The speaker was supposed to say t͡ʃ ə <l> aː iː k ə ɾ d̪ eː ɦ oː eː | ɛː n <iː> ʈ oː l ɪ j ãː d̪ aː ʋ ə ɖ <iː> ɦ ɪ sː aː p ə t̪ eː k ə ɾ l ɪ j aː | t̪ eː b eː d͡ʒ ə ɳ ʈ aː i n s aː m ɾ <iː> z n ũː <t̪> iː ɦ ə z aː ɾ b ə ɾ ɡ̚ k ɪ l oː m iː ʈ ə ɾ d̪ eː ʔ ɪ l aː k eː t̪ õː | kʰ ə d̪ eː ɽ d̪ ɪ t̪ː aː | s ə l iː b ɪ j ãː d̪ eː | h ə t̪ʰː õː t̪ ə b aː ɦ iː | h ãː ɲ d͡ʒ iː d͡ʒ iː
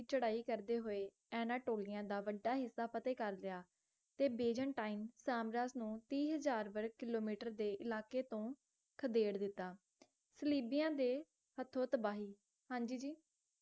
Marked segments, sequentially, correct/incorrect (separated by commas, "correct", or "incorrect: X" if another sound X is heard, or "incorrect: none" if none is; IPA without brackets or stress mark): incorrect: ɽ, incorrect: aː, incorrect: aː, incorrect: aː, correct